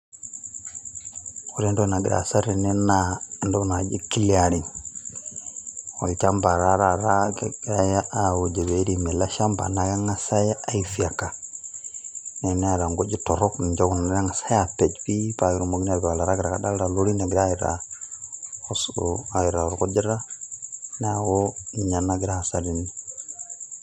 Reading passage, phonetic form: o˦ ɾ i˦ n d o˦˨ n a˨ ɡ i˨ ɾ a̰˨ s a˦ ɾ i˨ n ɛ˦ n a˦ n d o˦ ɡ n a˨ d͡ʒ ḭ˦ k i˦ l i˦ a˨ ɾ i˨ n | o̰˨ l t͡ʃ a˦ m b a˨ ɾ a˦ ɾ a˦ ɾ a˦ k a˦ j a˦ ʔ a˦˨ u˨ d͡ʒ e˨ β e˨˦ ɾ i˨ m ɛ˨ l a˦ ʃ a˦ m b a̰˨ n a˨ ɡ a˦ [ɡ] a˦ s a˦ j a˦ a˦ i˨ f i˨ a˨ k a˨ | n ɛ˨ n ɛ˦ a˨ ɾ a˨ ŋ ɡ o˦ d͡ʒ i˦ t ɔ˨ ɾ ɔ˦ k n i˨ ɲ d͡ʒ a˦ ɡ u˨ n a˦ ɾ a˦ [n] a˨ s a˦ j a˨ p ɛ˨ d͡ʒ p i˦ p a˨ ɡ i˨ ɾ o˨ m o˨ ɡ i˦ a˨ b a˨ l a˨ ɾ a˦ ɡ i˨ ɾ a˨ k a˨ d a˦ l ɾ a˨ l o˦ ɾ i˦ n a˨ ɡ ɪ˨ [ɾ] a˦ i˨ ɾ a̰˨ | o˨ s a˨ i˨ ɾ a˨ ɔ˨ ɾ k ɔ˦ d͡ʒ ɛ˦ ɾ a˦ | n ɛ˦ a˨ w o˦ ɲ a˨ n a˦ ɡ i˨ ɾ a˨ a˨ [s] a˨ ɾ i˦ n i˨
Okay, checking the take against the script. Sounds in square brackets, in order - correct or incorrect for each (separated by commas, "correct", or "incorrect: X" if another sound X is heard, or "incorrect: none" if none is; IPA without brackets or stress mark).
incorrect: ŋ, incorrect: ŋ, correct, correct